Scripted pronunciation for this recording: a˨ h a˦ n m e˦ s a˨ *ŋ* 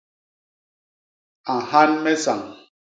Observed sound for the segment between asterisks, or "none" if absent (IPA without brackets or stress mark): ŋ